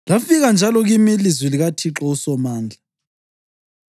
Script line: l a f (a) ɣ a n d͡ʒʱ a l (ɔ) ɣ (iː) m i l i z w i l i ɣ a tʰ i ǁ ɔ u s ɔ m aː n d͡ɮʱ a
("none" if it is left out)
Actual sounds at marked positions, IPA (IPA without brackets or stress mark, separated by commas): i, ɔ, i